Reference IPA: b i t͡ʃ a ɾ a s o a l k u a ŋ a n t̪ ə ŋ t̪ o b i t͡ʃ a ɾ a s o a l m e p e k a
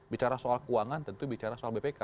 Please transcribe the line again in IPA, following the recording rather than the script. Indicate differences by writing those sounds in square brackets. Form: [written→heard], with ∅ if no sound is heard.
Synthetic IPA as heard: b i t͡ʃ a ɾ a s o a l k u a ŋ a n t̪ ə [ŋ→n] t̪ [o→u] b i t͡ʃ a ɾ a s o a l [m→b] e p e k a